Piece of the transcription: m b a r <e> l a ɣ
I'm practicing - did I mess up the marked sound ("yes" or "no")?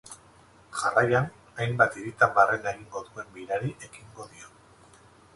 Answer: no